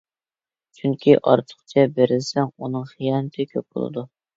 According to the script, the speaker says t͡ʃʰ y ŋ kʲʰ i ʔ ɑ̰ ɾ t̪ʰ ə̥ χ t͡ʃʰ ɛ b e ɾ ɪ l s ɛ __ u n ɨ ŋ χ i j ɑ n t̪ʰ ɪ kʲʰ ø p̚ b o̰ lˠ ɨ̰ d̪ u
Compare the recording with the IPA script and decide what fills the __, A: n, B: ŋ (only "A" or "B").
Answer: B